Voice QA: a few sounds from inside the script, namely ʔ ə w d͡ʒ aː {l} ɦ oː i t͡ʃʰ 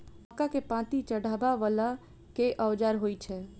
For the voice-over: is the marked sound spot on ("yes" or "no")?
no